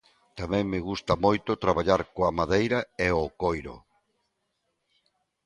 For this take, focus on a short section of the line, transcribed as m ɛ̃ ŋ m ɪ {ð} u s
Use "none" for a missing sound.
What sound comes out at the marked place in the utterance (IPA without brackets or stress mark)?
ɣ